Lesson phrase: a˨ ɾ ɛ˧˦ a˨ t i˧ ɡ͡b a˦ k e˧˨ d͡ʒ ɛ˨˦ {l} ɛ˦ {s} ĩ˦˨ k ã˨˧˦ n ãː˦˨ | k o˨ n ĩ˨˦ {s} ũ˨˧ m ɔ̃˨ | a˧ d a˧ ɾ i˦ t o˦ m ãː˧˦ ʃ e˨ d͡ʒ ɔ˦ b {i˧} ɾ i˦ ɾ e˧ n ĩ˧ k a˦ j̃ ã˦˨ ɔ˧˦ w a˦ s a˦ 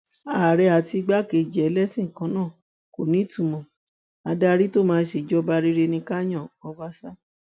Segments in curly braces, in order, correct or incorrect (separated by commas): correct, correct, incorrect, incorrect